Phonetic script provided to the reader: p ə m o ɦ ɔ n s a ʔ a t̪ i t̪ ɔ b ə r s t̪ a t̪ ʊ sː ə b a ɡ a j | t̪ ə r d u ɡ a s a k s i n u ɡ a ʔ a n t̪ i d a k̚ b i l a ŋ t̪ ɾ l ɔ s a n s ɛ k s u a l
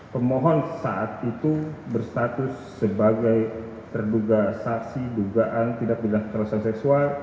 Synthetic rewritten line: p ə m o ɦ ɔ n s a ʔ a t̪ i t̪ u b ə r s t̪ a t̪ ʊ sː ə b a ɡ a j | t̪ ə r d u ɡ a s a k s i d u ɡ a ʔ a n t̪ i d a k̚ b i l a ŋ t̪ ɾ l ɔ s a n s ɛ k s u a l